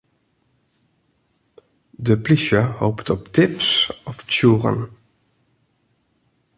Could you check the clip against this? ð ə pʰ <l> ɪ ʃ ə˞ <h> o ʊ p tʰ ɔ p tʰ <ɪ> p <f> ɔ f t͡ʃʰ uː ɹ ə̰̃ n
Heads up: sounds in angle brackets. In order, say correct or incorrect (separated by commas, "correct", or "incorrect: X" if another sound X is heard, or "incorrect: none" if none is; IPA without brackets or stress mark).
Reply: correct, correct, correct, incorrect: s